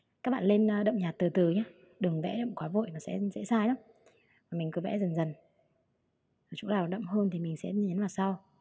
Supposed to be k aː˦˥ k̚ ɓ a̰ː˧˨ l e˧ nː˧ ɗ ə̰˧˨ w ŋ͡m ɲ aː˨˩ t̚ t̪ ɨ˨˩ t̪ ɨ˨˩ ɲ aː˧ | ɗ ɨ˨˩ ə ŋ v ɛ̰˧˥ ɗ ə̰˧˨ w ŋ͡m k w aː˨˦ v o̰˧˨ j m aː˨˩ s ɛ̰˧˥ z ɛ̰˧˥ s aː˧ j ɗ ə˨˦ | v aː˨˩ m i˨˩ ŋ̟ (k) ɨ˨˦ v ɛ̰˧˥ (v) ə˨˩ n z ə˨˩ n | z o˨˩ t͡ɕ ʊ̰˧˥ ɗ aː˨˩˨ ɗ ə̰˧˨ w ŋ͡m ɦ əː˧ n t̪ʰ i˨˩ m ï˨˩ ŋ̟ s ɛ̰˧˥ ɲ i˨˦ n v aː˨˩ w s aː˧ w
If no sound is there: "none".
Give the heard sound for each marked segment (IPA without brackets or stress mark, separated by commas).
k, z